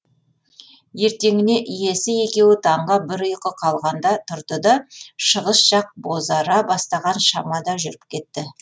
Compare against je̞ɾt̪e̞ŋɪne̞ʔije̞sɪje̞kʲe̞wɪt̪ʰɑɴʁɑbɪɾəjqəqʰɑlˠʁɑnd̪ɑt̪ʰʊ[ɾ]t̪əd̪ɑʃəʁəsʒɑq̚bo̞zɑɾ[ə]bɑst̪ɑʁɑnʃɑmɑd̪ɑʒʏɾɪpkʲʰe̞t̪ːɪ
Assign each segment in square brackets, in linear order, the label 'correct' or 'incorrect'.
correct, incorrect

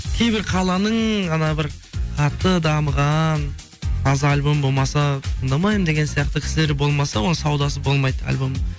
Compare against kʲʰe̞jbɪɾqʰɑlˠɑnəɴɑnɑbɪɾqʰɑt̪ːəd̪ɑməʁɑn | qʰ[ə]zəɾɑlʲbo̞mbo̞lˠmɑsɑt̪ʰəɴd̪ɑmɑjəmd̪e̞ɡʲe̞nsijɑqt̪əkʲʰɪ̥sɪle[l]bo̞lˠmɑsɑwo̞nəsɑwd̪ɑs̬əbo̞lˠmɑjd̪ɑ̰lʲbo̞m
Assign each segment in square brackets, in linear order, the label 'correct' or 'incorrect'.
incorrect, incorrect

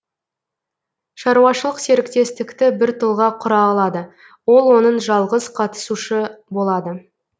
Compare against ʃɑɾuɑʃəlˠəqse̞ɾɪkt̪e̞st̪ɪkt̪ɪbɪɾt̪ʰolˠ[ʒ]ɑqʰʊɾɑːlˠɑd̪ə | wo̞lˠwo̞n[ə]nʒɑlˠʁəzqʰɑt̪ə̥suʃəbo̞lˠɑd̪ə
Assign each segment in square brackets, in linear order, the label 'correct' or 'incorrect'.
incorrect, correct

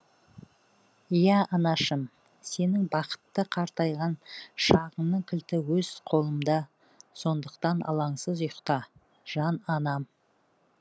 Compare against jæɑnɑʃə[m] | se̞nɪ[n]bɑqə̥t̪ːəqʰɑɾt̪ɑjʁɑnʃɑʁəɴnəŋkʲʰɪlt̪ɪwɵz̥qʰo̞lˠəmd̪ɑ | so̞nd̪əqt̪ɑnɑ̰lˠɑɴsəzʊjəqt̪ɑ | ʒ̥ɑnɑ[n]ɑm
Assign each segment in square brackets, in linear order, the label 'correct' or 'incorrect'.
correct, incorrect, correct

